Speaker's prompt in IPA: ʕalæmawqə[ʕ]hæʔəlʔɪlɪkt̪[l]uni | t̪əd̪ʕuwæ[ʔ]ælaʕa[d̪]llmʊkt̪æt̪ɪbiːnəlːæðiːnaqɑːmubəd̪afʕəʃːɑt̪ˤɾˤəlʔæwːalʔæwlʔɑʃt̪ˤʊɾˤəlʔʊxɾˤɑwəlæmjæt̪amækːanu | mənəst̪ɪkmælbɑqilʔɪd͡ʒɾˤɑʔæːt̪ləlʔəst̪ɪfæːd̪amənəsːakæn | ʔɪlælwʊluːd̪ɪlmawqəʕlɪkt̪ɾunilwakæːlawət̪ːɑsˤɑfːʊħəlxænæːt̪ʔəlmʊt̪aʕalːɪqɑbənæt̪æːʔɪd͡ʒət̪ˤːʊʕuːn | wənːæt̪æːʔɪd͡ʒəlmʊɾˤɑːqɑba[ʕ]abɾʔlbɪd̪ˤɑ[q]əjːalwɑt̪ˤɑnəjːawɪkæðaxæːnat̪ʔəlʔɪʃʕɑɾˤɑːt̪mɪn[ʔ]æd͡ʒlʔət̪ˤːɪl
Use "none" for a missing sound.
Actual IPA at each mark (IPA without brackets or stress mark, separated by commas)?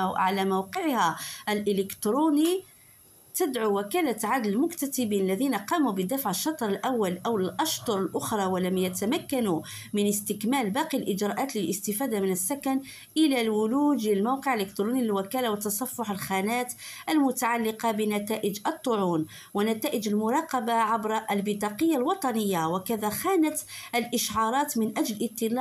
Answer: ʕ, ɾ, k, d̪, ʕ, q, ʔ